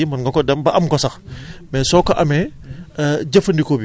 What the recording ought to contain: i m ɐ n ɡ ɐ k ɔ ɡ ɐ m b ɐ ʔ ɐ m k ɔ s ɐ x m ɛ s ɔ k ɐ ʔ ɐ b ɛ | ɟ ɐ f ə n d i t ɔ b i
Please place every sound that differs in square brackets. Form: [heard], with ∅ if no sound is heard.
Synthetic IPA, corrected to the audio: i m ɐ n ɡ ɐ k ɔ [d] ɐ m b ɐ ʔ ɐ m k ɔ s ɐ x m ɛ s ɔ k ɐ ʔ ɐ [m] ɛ | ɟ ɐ f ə n d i [k] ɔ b i